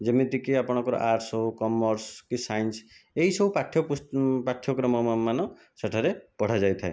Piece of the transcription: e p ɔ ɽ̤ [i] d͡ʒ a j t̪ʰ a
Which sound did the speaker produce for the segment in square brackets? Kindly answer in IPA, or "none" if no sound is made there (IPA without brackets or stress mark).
a